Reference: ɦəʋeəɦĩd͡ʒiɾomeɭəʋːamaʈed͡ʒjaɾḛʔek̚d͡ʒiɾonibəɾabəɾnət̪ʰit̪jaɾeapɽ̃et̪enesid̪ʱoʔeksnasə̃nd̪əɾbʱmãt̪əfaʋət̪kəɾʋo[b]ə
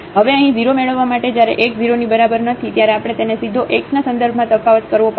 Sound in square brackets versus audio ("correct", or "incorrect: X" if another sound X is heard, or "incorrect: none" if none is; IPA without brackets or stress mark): incorrect: p